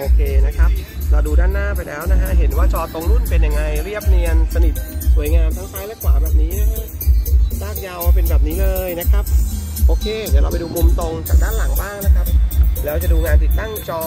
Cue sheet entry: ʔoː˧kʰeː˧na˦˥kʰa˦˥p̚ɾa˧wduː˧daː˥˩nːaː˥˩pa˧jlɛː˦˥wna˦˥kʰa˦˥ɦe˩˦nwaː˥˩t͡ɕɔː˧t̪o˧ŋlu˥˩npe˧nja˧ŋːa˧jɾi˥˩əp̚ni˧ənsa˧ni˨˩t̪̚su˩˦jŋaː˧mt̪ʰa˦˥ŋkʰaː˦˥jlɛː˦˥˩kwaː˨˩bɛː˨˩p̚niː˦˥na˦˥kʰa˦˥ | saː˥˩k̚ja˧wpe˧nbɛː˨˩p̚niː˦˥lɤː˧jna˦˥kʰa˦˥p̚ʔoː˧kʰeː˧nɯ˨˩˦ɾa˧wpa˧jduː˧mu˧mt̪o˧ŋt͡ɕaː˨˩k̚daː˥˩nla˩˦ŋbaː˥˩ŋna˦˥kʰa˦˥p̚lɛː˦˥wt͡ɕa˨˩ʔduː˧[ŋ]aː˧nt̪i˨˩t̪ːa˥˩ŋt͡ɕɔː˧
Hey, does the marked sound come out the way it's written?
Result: yes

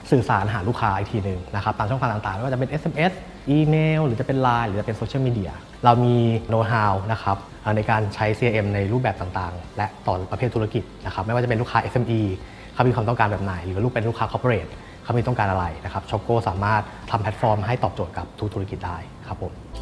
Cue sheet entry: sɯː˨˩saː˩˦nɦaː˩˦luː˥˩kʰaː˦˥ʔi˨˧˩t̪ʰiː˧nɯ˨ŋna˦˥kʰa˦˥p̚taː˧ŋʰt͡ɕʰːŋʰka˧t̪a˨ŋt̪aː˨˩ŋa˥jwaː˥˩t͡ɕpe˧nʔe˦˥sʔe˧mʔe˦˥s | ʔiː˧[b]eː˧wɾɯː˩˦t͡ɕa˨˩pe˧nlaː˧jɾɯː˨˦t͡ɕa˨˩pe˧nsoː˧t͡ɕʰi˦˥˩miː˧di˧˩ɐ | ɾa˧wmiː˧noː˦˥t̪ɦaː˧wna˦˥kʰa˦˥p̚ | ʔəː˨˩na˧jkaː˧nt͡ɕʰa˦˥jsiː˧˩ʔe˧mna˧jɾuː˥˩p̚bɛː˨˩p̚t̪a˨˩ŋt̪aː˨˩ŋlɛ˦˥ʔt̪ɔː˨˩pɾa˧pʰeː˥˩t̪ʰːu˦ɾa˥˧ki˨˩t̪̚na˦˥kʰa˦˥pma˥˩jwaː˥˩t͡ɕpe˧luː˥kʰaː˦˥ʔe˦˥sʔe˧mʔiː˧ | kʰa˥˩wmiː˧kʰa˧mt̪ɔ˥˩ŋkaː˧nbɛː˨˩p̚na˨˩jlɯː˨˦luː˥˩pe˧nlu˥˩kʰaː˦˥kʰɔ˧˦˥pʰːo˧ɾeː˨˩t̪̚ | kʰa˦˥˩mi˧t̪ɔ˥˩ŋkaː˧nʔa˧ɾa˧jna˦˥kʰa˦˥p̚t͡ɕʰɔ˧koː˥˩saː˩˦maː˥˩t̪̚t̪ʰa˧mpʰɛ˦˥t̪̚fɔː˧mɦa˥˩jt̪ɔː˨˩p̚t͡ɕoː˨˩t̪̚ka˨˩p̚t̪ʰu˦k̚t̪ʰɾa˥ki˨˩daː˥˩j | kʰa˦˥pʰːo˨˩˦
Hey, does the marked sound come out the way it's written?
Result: no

